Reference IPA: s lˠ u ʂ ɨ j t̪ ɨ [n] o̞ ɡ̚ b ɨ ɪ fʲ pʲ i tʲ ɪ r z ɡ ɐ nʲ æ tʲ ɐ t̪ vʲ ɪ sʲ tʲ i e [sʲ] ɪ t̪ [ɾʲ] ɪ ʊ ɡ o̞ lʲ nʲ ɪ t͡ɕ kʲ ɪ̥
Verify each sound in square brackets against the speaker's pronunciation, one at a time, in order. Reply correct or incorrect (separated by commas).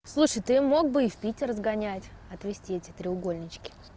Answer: incorrect, incorrect, correct